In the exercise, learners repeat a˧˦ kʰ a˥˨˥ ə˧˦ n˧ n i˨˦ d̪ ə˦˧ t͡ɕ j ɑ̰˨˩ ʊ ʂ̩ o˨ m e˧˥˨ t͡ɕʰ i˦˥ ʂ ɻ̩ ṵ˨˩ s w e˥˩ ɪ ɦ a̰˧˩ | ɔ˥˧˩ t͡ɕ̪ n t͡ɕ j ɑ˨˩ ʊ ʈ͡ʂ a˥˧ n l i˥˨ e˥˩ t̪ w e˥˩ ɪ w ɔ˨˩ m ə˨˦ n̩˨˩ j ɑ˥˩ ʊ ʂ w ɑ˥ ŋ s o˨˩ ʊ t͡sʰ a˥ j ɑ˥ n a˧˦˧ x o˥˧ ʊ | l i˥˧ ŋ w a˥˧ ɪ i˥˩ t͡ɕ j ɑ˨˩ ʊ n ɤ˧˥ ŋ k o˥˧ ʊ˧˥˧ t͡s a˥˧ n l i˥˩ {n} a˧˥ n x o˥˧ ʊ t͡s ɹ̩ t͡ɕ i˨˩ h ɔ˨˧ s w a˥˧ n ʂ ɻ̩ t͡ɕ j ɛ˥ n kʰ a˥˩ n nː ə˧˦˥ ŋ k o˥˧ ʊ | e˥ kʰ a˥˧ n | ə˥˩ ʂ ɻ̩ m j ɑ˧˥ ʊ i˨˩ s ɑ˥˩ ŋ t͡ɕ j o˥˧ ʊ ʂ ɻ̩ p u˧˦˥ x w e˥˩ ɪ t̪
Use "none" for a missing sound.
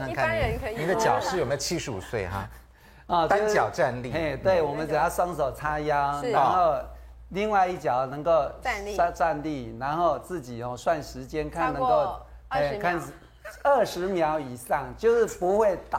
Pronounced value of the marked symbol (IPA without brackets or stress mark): n